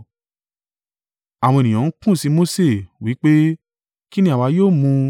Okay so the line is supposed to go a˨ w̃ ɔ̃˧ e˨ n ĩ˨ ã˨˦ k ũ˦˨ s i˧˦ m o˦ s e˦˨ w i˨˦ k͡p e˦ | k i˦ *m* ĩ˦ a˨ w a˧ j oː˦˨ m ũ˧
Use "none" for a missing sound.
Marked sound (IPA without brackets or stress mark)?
n